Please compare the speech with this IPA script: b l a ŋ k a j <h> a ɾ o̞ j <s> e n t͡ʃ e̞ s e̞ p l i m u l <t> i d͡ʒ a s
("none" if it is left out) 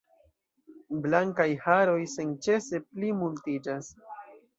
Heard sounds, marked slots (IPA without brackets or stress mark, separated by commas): h, s, t